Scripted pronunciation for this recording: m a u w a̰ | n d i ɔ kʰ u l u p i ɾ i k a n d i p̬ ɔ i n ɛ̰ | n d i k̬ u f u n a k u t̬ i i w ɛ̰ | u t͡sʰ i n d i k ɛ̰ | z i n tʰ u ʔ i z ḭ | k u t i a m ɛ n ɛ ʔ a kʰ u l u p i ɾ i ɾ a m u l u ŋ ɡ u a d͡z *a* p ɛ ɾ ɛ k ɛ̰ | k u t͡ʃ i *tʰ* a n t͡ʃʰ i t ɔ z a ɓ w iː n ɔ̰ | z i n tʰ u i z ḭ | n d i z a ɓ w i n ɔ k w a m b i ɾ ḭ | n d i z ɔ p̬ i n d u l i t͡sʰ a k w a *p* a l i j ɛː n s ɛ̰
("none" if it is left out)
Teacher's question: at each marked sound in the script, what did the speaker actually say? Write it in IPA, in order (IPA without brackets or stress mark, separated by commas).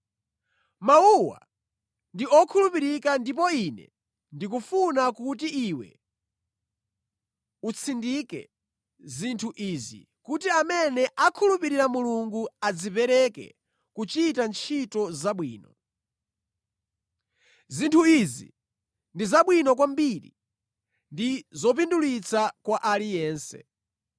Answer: i, t, ʔ